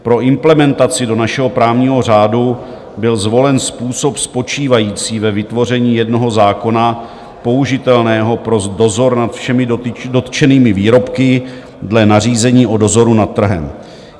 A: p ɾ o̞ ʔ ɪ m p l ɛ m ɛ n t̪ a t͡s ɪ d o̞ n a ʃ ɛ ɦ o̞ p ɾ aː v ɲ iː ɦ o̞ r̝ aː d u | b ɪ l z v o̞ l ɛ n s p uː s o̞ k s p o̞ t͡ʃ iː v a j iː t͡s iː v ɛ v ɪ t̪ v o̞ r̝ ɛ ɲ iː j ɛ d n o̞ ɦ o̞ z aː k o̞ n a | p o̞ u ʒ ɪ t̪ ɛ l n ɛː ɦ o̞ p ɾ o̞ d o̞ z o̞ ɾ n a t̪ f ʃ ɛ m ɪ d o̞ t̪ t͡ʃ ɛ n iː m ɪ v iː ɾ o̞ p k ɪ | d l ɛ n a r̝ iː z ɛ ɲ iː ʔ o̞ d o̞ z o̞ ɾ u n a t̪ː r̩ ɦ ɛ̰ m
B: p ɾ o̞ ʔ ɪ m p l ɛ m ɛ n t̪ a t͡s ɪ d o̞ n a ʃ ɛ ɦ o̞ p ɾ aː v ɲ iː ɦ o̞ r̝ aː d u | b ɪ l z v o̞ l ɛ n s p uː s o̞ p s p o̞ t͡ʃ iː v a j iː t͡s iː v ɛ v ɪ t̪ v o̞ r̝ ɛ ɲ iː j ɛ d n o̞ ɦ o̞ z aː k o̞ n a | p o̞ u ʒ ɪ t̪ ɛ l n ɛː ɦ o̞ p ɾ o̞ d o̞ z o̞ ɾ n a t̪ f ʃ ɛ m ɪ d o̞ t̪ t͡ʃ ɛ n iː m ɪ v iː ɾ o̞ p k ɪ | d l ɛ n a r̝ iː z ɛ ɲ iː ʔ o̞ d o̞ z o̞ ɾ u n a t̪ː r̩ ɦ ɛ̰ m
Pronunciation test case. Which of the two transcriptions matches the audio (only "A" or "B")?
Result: B